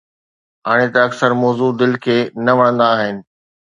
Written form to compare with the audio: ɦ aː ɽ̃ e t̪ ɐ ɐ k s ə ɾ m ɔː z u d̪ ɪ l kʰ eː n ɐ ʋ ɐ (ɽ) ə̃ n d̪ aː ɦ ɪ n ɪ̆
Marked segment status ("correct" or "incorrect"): correct